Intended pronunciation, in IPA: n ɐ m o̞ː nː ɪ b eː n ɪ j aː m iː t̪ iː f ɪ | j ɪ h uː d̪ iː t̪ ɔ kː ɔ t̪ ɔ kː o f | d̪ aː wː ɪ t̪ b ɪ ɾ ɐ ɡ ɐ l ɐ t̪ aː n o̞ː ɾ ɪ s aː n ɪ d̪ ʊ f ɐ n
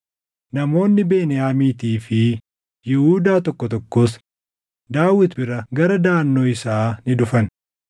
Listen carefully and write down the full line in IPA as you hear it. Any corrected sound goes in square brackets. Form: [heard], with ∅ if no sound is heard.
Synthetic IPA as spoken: n ɐ m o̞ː nː ɪ b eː n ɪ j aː m iː t̪ iː f ɪ | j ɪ h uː d̪ [aː] t̪ ɔ kː ɔ t̪ ɔ kː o [s] | d̪ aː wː ɪ t̪ b ɪ ɾ ɐ ɡ ɐ [ɾ] ɐ [d̪] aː [nː] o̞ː [∅] ɪ s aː n ɪ d̪ ʊ f ɐ n

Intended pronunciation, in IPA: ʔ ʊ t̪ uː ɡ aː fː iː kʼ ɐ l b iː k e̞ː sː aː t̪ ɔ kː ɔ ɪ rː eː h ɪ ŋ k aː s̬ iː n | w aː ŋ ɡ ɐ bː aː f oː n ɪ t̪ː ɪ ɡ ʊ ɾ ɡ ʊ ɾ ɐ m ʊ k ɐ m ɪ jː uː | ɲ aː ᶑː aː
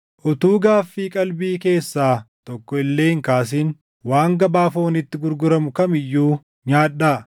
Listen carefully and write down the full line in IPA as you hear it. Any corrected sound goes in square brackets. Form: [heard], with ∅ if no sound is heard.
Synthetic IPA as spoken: ʔ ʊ t̪ uː ɡ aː fː iː kʼ ɐ l b iː k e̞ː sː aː t̪ ɔ kː ɔ ɪ [lː] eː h ɪ ŋ k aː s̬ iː n | w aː ŋ ɡ ɐ [b] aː f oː n ɪ t̪ː ɪ ɡ ʊ ɾ ɡ ʊ ɾ ɐ m ʊ k ɐ m ɪ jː uː | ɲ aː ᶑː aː

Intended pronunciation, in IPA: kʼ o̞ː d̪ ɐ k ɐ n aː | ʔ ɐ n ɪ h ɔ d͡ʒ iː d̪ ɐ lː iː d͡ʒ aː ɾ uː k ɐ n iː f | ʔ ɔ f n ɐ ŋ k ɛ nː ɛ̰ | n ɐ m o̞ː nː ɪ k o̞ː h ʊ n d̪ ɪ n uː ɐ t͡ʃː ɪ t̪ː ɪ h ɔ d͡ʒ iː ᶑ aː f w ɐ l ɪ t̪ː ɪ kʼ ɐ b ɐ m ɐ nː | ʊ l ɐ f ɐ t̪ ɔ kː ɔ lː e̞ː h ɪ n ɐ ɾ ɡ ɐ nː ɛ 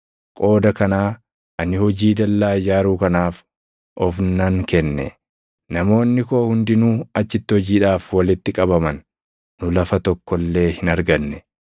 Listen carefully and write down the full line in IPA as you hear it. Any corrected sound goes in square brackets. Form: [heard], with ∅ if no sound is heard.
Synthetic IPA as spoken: kʼ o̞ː d̪ ɐ k ɐ n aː | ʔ ɐ n ɪ h ɔ d͡ʒ iː d̪ ɐ lː [aː] d͡ʒ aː ɾ uː k ɐ n [aː] f | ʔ ɔ f n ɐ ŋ k ɛ nː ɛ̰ | n ɐ m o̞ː nː ɪ k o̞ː h ʊ n d̪ ɪ n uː ɐ t͡ʃː ɪ t̪ː ɪ h ɔ d͡ʒ iː ᶑ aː f w ɐ l ɪ t̪ː ɪ kʼ ɐ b ɐ m ɐ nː | ʊ l ɐ f ɐ t̪ ɔ kː ɔ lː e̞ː h ɪ n ɐ ɾ ɡ ɐ nː ɛ

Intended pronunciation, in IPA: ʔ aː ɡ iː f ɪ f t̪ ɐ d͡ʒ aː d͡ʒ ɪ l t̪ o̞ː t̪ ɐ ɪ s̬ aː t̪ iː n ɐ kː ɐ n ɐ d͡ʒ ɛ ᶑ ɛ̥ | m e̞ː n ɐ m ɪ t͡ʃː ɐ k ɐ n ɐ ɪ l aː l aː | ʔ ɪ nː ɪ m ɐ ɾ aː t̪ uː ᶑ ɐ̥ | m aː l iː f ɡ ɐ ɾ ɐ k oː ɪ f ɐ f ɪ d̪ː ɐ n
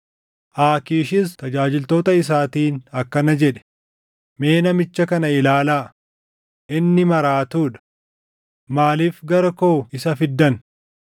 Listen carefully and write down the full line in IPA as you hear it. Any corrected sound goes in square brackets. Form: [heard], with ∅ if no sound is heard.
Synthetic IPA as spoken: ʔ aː [k] iː [ʃ] ɪ [s] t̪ ɐ d͡ʒ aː d͡ʒ ɪ l t̪ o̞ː t̪ ɐ ɪ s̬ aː t̪ iː n ɐ kː ɐ n ɐ d͡ʒ ɛ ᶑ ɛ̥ | m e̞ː n ɐ m ɪ t͡ʃː ɐ k ɐ n ɐ ɪ l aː l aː | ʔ ɪ nː ɪ m ɐ ɾ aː t̪ uː ᶑ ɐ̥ | m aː l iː f ɡ ɐ ɾ ɐ k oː ɪ [s] ɐ f ɪ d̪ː ɐ n

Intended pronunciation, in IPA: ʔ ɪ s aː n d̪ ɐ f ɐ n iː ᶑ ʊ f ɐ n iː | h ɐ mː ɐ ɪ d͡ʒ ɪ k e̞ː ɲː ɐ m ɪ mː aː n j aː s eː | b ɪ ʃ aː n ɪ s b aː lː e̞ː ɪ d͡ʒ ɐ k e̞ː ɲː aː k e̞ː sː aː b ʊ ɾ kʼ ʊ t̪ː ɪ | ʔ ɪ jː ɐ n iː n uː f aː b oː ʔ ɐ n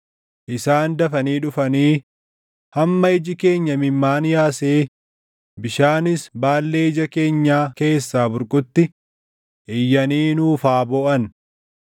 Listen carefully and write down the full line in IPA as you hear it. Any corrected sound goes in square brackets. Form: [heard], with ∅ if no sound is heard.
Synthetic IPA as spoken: ʔ ɪ s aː n d̪ ɐ f ɐ n iː ᶑ ʊ f ɐ n iː | h ɐ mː ɐ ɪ d͡ʒ ɪ k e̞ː ɲː ɐ m ɪ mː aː n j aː s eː | b ɪ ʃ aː n ɪ s b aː lː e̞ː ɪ d͡ʒ ɐ k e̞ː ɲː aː k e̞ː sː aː b ʊ ɾ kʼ ʊ t̪ː ɪ | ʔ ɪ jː ɐ n iː n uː f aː b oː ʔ ɐ n

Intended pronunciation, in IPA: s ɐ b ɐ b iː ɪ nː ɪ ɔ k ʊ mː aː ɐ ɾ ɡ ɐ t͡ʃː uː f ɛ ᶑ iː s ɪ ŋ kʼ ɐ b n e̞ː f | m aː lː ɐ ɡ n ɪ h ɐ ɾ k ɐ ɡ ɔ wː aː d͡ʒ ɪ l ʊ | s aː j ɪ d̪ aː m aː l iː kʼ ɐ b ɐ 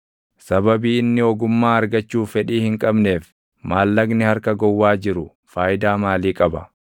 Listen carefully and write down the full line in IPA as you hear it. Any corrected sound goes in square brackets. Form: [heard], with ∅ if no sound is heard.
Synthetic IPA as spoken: s ɐ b ɐ b iː ɪ nː ɪ ɔ [ɡ] ʊ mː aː ɐ ɾ ɡ ɐ t͡ʃː uː f ɛ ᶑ iː [h] ɪ ŋ kʼ ɐ b n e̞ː f | m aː lː ɐ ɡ n ɪ h ɐ ɾ k ɐ ɡ ɔ wː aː d͡ʒ ɪ [ɾ] ʊ | [f] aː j ɪ d̪ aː m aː l iː kʼ ɐ b ɐ

